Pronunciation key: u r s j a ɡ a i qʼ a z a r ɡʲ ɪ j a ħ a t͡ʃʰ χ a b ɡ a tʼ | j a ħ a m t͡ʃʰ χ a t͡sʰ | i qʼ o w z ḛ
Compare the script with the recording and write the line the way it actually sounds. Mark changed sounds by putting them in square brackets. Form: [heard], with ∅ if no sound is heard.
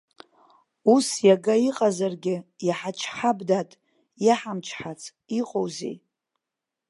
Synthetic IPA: u [∅] s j a ɡ a i qʼ a z a r ɡʲ ɪ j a ħ a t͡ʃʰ [ħ] a b [d] a tʼ | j a ħ a m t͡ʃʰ [ħ] a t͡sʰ | i qʼ o w z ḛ